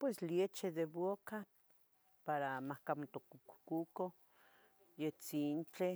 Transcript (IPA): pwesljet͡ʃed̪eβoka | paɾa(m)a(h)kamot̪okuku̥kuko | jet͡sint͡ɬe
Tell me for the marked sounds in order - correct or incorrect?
correct, correct

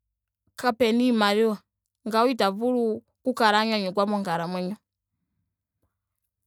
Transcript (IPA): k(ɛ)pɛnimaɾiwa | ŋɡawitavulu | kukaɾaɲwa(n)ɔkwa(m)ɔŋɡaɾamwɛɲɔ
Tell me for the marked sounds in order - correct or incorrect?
incorrect: a, incorrect: ɲ, correct

